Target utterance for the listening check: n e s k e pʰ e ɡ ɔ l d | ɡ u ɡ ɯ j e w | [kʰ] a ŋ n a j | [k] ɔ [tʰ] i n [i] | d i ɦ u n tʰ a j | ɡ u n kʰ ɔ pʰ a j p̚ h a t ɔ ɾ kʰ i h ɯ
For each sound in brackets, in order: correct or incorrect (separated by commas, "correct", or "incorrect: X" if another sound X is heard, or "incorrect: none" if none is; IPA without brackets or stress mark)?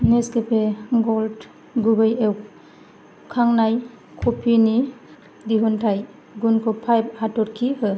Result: correct, incorrect: kʰ, incorrect: pʰ, correct